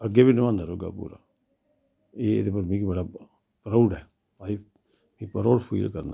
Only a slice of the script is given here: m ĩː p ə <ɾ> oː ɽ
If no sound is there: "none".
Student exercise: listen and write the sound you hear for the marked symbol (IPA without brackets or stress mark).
ɾ